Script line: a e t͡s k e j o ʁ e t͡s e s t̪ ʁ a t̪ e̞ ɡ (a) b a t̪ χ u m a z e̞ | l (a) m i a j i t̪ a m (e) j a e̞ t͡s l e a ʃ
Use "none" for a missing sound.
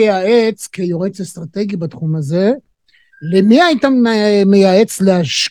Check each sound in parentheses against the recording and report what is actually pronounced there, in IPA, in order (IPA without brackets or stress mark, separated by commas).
i, e, e